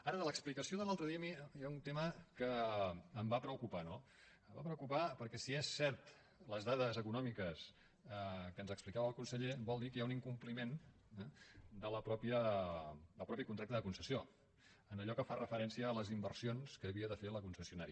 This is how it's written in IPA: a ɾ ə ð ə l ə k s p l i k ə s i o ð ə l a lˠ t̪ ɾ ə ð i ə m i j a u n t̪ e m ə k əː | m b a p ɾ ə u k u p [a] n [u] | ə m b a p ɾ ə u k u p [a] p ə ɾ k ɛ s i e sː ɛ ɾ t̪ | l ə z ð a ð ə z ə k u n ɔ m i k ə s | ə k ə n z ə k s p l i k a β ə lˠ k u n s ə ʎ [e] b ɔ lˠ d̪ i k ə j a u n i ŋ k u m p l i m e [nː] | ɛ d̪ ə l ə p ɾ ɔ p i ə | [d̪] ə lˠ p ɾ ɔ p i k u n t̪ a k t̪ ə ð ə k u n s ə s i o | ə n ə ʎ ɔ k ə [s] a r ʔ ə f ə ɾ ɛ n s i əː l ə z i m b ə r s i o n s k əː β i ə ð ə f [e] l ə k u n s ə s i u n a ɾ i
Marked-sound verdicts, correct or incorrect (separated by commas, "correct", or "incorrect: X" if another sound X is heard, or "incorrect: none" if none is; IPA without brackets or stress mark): correct, incorrect: o, correct, correct, incorrect: n, correct, incorrect: f, correct